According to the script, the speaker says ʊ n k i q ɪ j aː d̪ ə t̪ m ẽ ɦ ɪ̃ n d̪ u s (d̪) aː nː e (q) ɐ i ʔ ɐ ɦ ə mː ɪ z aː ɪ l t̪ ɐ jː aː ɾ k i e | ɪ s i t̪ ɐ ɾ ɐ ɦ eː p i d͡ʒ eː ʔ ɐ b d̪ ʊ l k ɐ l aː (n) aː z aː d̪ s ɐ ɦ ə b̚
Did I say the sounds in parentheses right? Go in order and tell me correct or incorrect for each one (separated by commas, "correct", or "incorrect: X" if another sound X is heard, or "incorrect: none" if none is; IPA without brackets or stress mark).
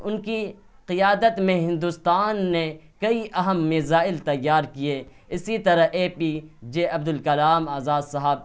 incorrect: t̪, incorrect: k, incorrect: m